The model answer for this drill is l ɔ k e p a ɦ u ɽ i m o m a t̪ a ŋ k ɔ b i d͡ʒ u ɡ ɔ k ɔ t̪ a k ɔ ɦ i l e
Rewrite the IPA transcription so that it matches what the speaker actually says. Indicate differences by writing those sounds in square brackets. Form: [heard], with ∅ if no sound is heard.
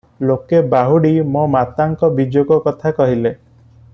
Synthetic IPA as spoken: l [o] k e [b] a ɦ u ɽ i m o m a t̪ a ŋ k ɔ b i d͡ʒ [o] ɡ ɔ k ɔ [t̪ʰ] a k ɔ ɦ i l e